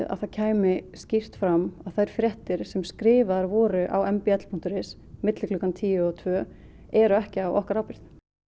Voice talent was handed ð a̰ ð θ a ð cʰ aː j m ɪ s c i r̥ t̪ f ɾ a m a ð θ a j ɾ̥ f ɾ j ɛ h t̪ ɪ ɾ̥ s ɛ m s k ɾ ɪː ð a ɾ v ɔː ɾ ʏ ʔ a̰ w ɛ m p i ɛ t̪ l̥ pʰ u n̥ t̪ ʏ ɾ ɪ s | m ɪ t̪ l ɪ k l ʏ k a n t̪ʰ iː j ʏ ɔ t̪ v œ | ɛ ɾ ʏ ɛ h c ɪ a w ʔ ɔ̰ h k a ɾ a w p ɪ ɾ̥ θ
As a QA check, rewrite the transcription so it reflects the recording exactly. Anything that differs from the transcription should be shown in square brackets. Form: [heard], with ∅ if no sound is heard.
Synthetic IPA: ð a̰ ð θ a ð cʰ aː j m ɪ s c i r̥ t̪ f ɾ a m a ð θ a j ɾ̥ f ɾ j ɛ h t̪ ɪ ɾ̥ s ɛ m s k ɾ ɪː [v] a ɾ v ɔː ɾ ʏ ʔ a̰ w ɛ m p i ɛ t̪ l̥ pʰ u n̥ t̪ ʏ ɾ ɪ s | m ɪ t̪ l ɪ k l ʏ k a n t̪ʰ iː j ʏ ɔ [t̪ʰ] v œ | ɛ ɾ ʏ ɛ h c ɪ a w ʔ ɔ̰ h k a ɾ a w p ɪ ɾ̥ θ